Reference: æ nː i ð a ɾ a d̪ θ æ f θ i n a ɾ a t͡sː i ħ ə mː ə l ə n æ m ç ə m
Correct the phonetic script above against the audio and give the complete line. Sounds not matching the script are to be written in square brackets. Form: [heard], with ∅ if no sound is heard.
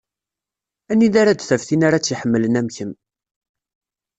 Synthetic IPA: æ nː i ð a ɾ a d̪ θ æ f θ i n a ɾ a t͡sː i ħ ə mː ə l ə n æ m ç ə m